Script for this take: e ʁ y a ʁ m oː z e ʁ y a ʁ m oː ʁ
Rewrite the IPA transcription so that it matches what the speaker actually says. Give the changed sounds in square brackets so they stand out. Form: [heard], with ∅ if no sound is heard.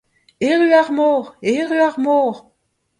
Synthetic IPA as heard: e ʁ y a ʁ m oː [ʁ] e ʁ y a ʁ m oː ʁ